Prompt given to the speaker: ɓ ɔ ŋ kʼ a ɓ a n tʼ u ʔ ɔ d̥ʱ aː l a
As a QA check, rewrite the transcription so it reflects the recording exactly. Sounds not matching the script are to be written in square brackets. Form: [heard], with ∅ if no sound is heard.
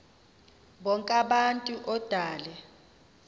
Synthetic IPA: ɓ ɔ ŋ kʼ a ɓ a n tʼ u ʔ ɔ d̥ʱ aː l [ɛ]

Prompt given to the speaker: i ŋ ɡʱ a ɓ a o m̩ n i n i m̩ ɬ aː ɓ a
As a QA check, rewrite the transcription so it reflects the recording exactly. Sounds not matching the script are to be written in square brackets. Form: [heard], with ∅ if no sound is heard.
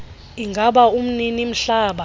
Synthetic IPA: i ŋ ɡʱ a ɓ a [u] m̩ n i n i m̩ ɬ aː ɓ a

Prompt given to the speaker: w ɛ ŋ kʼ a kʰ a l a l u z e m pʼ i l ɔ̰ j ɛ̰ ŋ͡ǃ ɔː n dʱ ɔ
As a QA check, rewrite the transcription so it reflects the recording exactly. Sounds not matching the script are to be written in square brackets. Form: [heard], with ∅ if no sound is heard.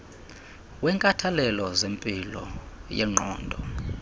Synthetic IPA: w ɛ ŋ kʼ a [tʰ] a l [ɛ] l [ɔ] z e m pʼ i l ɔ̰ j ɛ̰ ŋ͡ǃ ɔː n dʱ ɔ

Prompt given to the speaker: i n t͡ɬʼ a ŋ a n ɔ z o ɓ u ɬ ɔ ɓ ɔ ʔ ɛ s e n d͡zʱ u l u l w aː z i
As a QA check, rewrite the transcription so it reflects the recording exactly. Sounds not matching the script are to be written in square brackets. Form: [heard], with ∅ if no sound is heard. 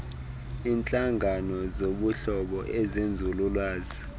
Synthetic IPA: i n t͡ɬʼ a ŋ a n ɔ z o ɓ u ɬ ɔ ɓ ɔ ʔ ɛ [z] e n d͡zʱ u l u l w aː z i

